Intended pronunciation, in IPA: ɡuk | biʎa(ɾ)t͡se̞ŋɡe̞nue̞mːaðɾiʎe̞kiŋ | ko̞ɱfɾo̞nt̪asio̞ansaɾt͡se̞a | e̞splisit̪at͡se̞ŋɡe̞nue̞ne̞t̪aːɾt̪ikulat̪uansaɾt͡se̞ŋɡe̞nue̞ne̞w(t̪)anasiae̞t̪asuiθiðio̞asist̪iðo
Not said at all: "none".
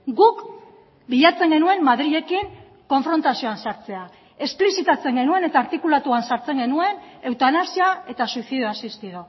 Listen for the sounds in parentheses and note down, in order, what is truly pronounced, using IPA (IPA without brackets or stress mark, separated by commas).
none, t̪